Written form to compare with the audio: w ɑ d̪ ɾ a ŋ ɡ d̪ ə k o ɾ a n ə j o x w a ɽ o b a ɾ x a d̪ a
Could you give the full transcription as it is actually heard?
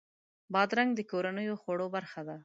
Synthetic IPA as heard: b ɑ d̪ ɾ a ŋ ɡ d̪ ə k o ɾ a n ə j o x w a ɽ o b a ɾ x a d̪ a

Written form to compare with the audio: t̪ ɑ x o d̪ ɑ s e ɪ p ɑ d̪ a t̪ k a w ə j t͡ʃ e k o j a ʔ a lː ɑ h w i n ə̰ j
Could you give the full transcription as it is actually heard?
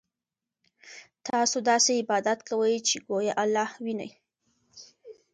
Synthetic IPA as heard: t̪ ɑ s o d̪ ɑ s e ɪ b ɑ d̪ a t̪ k a w ə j t͡ʃ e ɡ o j a ʔ a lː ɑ h w i n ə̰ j

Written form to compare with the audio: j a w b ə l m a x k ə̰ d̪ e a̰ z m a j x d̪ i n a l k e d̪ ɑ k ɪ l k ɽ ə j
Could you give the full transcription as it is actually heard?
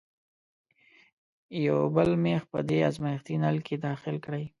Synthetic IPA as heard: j a w b ə l m e x p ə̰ d̪ e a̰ z m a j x t̪ i n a l k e d̪ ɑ x ɪ l k ɽ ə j

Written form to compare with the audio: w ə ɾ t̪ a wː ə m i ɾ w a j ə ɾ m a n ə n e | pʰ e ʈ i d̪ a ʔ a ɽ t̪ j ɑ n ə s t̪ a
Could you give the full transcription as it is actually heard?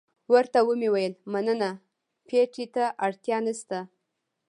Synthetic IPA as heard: w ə ɾ t̪ a w ə m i w a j ə l m a n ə n a | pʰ e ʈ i t̪ a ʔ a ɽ t̪ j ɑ n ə s t̪ a

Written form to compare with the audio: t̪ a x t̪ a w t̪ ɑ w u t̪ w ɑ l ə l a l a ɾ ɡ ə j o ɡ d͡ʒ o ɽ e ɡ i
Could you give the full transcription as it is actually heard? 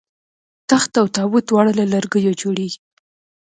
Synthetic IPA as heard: t̪ a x t̪ a w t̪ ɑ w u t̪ w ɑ ɽ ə l a l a ɾ ɡ ə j o d͡ʒ o ɽ e ɡ i

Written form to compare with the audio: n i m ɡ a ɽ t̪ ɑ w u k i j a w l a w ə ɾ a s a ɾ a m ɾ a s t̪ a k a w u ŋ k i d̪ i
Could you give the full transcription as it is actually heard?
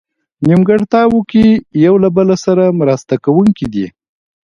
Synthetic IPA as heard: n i m ɡ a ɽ t̪ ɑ w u k i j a w l a b ə l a s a ɾ a m ɾ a s t̪ a k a w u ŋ k i d̪ i

